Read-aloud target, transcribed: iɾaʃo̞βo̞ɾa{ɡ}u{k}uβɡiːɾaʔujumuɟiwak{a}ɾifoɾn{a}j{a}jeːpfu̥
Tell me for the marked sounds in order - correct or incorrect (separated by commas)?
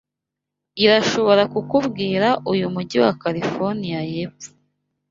incorrect, correct, correct, incorrect, correct